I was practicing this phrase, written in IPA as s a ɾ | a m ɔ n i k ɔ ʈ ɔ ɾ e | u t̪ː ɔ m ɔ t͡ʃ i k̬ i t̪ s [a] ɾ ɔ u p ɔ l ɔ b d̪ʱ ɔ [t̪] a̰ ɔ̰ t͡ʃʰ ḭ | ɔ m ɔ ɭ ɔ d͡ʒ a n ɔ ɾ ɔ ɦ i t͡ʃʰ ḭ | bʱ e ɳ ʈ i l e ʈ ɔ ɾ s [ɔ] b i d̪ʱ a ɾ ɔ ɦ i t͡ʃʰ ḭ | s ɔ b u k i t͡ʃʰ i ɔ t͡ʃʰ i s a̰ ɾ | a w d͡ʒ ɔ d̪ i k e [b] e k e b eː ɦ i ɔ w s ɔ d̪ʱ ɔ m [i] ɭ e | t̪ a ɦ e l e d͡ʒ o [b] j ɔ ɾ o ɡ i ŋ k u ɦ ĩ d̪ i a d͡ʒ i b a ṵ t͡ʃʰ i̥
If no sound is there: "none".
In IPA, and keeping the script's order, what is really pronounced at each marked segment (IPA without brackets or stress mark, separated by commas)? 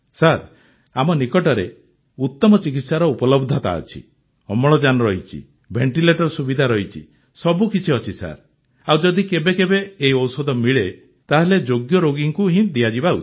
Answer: a, t̪, u, b, i, ɡ